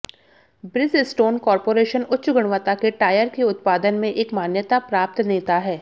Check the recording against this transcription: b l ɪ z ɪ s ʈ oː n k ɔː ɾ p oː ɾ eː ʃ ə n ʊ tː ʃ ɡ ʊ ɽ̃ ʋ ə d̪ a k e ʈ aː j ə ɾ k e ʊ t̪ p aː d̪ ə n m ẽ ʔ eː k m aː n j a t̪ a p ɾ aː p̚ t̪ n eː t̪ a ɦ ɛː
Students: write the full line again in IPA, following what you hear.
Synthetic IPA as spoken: b ɾ ɪ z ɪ s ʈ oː n k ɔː ɾ p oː ɾ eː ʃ ə n ʊ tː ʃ ɡ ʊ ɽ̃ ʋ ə t̪ a k e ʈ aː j ə ɾ k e ʊ t̪ p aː d̪ ə n m ẽ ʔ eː k m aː n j ə t̪ a p ɾ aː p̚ t̪ n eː t̪ a ɦ ɛː